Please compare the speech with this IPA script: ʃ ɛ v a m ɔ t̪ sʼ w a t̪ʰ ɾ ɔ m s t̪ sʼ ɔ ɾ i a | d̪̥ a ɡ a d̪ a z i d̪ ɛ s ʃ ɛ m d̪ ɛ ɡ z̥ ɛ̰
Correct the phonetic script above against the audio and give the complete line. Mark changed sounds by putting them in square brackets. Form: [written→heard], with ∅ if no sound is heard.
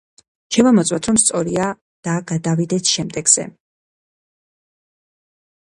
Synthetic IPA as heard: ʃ ɛ v a m ɔ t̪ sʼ w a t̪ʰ ɾ ɔ m s t̪ sʼ ɔ ɾ i a | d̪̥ a ɡ a d̪ a [z→v] i d̪ ɛ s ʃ ɛ m d̪ ɛ ɡ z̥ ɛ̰